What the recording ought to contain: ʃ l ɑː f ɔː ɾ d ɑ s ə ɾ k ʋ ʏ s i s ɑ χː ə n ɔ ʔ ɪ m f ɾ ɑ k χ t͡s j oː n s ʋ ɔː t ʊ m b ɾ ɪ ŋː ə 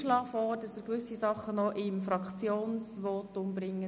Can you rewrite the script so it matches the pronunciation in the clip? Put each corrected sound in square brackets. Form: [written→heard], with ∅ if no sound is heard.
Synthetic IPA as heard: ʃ l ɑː f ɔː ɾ d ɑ s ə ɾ k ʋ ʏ s i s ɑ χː ə n ɔ ʔ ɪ m f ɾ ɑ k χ t͡s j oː n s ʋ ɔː t ʊ m b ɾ ɪ ŋː ə